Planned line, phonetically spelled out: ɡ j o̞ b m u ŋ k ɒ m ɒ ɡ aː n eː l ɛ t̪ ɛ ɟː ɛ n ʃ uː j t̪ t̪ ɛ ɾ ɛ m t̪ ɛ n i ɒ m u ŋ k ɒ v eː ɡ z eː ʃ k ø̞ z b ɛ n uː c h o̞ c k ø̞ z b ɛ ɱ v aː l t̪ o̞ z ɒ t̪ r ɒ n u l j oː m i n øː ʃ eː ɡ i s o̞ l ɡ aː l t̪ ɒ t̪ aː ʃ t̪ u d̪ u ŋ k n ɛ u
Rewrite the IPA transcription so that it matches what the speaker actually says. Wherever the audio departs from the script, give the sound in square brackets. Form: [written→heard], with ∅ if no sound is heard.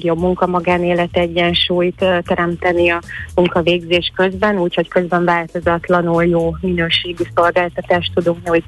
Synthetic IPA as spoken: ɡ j o̞ b m u ŋ k ɒ m ɒ ɡ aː n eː l ɛ t̪ ɛ ɟː ɛ n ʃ uː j t̪ t̪ ɛ ɾ ɛ m t̪ ɛ n i ɒ m u ŋ k ɒ v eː ɡ z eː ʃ k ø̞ z b ɛ n uː c h o̞ c k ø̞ z b ɛ ɱ v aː l t̪ o̞ z ɒ t̪ [r→l] ɒ n u l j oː m i n øː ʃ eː ɡ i s o̞ l ɡ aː l t̪ ɒ t̪ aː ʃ t̪ u d̪ u ŋ k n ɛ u